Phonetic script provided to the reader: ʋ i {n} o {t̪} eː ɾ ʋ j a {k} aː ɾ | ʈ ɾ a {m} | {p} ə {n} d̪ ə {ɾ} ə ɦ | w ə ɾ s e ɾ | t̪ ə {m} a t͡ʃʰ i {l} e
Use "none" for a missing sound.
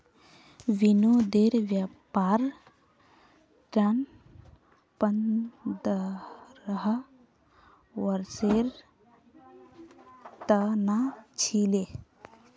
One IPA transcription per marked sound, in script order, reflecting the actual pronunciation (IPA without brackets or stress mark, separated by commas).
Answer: n, d̪, p, n, p, n, ɾ, n, l